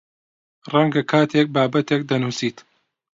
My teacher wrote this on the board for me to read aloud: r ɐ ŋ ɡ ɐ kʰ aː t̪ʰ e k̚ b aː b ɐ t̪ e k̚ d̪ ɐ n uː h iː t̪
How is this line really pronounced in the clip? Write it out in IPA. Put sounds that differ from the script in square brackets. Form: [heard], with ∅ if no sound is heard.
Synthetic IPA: r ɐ ŋ ɡ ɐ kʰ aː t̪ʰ e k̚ b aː b ɐ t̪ e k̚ d̪ ɐ n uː [s] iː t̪